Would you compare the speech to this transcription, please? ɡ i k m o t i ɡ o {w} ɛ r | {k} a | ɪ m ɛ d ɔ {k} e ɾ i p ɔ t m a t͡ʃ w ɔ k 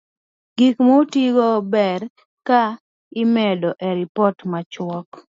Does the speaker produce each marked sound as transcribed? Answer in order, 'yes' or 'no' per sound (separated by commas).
no, yes, no